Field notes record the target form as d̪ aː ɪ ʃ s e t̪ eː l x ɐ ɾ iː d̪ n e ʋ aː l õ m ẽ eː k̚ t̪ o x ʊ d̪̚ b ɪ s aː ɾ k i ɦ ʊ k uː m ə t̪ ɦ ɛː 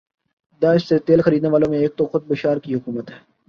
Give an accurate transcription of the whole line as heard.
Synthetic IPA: d̪ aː ɪ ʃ s e t̪ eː l x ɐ ɾ iː d̪ n e ʋ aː l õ m ẽ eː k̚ t̪ o x ʊ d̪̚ b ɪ ʃ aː ɾ k i ɦ ʊ k uː m ə t̪ ɦ ɛː